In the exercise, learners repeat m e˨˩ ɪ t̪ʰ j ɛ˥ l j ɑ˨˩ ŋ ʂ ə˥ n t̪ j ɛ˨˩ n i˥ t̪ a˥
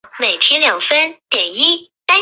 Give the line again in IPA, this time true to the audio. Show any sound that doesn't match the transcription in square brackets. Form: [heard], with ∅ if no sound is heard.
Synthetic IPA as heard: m e˨˩ ɪ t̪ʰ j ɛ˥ l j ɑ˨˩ ŋ [f] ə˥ n t̪ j ɛ˨˩ n i˥ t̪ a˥